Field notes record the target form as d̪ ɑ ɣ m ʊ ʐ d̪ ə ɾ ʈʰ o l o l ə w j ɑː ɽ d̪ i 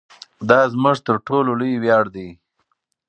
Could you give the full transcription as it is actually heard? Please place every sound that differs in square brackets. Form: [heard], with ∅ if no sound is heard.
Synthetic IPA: d̪ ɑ [z] m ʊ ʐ [t̪] ə ɾ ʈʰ o l o l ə w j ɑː ɽ d̪ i

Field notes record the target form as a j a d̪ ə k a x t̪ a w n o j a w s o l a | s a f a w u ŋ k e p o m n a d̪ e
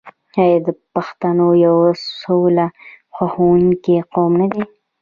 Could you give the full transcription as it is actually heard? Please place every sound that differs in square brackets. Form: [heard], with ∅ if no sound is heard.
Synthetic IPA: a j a d̪ ə [p] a x t̪ a [∅] n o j a w s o l a | [x] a [x] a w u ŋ k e [q] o m n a d̪ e

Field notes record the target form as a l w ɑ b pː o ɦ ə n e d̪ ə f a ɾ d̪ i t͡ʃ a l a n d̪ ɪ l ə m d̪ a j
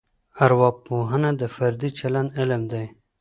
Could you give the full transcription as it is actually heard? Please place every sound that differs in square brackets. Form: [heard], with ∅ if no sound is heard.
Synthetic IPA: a [ɾ] w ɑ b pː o ɦ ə n [a] d̪ ə f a ɾ d̪ i t͡ʃ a l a n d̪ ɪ l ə m d̪ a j

